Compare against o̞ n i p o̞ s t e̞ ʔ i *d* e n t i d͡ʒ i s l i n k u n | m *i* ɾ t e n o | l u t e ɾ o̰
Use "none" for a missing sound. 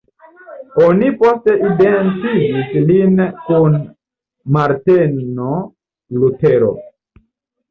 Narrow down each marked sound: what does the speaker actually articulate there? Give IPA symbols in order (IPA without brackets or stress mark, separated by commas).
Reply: d, a